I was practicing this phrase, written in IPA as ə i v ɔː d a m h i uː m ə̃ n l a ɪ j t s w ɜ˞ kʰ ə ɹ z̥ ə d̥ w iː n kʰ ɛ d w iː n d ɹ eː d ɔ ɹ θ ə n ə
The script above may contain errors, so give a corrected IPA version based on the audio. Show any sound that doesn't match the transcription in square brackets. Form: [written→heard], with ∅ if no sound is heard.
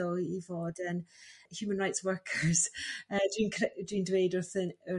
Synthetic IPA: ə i v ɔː d [a→ə] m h [i→j] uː m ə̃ n [l→ɹ] a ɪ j t s w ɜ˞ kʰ ə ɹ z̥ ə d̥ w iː n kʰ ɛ d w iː n d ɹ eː d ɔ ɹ θ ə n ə